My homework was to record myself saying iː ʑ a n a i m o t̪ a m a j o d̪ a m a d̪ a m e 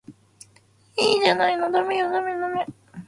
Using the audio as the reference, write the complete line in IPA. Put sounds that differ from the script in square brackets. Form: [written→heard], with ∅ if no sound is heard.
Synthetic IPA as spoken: iː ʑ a n a i [m→n] o [t̪→d̪] a m [a→e] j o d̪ a m [a→e] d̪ a m e